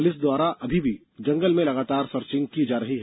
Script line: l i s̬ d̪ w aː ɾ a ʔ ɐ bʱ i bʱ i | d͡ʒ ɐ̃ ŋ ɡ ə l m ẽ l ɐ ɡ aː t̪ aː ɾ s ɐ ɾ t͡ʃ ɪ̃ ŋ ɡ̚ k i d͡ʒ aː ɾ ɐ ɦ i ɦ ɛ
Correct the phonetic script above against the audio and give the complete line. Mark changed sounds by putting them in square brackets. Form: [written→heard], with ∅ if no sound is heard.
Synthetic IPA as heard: l [i→ɪ] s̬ d̪ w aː ɾ a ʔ ɐ bʱ i bʱ i | d͡ʒ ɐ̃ ŋ ɡ ə l m ẽ l ɐ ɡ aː t̪ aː ɾ s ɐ ɾ t͡ʃ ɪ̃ ŋ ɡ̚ k i d͡ʒ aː ɾ ɐ ɦ i ɦ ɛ